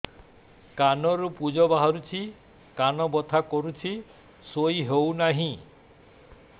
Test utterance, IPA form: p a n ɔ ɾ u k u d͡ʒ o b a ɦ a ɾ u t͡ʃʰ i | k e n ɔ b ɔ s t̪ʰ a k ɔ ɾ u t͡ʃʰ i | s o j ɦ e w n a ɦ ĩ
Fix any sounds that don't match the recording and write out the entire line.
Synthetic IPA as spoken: k a n ɔ ɾ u p u d͡ʒ ɔ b a ɦ a ɾ u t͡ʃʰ i | k a n ɔ b ɔ t̪ʰ a k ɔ ɾ u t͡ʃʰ i | s o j ɦ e w n a ɦ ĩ